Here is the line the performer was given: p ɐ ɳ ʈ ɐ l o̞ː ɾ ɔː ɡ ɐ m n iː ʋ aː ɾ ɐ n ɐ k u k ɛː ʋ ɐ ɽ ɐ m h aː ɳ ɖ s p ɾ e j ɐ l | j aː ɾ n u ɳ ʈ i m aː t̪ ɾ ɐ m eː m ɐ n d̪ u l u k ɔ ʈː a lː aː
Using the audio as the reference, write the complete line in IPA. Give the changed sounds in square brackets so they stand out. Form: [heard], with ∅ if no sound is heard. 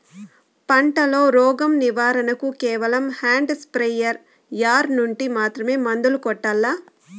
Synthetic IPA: p ɐ ɳ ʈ ɐ l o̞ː ɾ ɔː ɡ ɐ m n [i] ʋ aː ɾ ɐ n ɐ k u k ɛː ʋ ɐ [l] ɐ m h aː ɳ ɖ s p ɾ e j ɐ [ɾ] | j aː ɾ n u ɳ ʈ i m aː t̪ ɾ ɐ m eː m ɐ n d̪ u l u k ɔ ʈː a lː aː